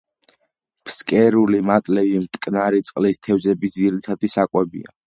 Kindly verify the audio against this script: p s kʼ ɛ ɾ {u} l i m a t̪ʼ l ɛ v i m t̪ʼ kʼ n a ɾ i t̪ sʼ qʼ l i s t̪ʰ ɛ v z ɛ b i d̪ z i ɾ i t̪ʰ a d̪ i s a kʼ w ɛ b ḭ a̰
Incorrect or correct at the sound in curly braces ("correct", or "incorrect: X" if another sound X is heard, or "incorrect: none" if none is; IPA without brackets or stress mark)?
correct